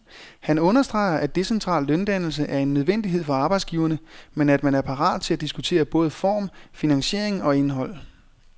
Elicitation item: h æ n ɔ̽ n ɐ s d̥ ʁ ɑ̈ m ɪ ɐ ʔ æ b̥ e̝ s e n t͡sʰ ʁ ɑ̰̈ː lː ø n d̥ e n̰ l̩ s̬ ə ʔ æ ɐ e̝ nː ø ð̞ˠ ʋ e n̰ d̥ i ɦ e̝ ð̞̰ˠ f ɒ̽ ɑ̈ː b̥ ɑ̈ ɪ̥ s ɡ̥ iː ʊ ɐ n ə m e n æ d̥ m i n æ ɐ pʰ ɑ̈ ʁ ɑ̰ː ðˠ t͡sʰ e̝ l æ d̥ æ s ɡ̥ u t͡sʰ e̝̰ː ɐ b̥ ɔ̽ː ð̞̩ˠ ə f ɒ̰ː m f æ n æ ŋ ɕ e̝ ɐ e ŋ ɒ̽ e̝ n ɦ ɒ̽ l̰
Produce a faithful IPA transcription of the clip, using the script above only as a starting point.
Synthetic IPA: h æ n ɔ̽ n ɐ s d̥ ʁ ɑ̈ ɪ ɐ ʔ æ d̥ e̝ s e n t͡sʰ ʁ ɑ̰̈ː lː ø n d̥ æ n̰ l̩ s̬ ə ʔ æ ɐ e̝ nː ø ð̞ˠ ʋ e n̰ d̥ i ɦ e̝ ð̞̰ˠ f ɒ̽ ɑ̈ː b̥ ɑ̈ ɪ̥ s ɡ̥ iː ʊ ɐ n ə m e n æ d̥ m æ n æ ɐ pʰ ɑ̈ ʁ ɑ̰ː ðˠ t͡sʰ e̝ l æ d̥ i s ɡ̥ u t͡sʰ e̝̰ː ɐ b̥ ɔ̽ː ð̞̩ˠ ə f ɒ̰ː m f i n æ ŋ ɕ e̝ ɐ e ŋ ɒ̽ e̝ n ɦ ɒ̽ l̰